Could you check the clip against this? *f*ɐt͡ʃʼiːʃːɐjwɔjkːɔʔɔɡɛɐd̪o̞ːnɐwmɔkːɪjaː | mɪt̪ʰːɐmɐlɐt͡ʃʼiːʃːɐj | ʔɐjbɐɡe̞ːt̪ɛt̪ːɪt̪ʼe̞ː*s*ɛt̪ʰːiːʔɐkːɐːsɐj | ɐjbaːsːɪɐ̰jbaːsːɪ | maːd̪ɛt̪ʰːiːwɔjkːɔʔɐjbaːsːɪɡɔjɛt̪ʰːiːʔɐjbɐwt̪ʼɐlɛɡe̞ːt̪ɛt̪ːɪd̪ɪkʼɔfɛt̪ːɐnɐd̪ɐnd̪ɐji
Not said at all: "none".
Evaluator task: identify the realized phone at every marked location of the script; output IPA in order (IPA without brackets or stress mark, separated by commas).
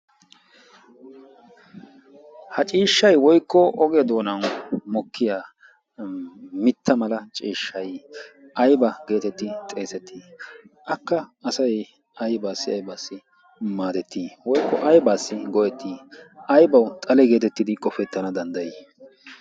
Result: h, s